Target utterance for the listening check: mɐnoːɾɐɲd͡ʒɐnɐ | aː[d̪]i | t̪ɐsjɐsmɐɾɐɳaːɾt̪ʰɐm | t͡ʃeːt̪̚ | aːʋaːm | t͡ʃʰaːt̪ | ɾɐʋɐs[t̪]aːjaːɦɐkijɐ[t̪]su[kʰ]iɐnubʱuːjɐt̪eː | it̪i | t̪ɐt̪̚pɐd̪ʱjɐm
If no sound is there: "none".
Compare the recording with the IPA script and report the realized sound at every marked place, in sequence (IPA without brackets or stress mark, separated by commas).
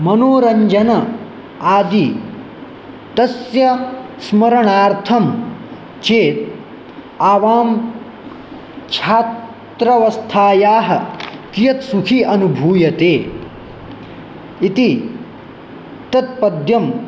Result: d̪, t̪ʰ, t̪, kʰ